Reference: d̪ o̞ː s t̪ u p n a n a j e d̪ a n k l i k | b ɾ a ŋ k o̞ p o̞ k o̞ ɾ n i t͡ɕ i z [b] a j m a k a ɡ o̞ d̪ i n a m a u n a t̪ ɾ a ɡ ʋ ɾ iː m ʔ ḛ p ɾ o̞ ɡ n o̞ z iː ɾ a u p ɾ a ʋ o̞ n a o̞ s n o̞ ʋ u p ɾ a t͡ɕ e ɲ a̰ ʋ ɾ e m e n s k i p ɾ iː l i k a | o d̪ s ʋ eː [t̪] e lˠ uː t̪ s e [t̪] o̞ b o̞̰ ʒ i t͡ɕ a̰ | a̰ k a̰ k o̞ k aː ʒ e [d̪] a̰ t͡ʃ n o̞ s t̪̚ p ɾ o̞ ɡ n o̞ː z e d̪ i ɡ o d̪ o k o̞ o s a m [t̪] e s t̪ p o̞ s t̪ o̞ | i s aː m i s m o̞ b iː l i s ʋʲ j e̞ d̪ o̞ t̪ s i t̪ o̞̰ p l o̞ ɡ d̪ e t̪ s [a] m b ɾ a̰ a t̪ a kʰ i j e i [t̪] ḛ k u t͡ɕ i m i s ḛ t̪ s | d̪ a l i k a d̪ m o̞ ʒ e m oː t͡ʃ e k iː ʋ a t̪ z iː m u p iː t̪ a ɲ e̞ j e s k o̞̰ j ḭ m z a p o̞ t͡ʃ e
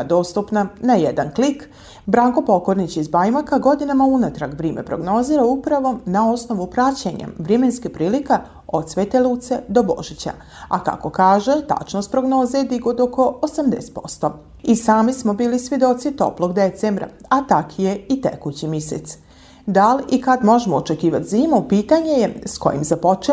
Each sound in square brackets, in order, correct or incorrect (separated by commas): correct, correct, incorrect, incorrect, incorrect, incorrect, correct